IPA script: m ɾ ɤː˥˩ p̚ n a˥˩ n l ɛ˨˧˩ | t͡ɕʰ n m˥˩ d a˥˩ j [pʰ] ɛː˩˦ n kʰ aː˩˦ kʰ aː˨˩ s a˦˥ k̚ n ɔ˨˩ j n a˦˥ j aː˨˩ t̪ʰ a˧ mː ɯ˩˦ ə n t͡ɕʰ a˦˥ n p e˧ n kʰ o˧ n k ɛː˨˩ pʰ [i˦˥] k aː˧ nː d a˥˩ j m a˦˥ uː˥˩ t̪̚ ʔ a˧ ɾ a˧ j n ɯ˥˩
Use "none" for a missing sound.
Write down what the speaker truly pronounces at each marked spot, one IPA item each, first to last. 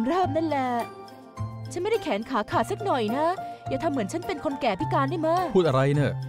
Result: kʰ, i˦˥

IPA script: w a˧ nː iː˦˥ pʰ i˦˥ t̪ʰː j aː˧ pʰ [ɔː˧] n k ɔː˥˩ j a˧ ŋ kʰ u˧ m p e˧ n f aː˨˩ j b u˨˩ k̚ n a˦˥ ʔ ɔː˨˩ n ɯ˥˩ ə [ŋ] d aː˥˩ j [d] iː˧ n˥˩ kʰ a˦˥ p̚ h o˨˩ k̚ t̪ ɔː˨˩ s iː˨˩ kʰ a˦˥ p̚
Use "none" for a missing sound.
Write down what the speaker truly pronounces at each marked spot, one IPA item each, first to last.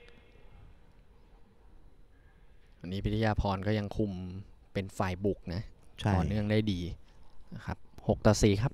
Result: ɔː˧, ŋ, d

